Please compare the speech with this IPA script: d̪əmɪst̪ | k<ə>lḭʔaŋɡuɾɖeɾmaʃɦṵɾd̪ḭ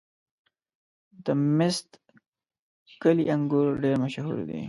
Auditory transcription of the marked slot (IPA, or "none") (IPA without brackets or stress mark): ə